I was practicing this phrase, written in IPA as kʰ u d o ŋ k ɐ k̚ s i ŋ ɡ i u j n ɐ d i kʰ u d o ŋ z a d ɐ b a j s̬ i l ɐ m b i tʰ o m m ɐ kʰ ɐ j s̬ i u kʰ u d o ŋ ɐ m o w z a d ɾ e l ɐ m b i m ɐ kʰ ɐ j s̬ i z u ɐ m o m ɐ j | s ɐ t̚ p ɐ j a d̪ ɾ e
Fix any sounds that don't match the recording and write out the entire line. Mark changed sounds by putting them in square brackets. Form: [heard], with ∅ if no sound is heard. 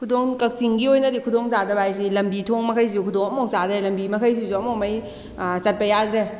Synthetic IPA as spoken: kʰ u d o ŋ k ɐ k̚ s i ŋ ɡ i [o] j n ɐ d i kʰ u d o ŋ z a d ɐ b a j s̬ i l ɐ m b i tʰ o [ŋ] m ɐ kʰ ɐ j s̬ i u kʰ u d o ŋ ɐ m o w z a d ɾ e l ɐ m b i m ɐ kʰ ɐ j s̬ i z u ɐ m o m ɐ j | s ɐ t̚ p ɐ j a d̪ ɾ e